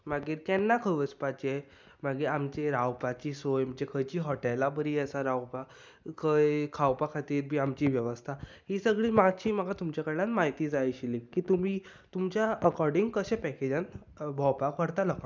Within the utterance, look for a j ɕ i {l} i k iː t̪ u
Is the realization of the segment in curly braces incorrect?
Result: no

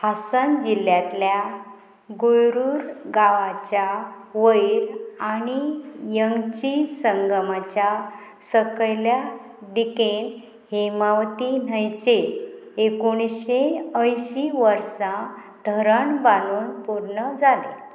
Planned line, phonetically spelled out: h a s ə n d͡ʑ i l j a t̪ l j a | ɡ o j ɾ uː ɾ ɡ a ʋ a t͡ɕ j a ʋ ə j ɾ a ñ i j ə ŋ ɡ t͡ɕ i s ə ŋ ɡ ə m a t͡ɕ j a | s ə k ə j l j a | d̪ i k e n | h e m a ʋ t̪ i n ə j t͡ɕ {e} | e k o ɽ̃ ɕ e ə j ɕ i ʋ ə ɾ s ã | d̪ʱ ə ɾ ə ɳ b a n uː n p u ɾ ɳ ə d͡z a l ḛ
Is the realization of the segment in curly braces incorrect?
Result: no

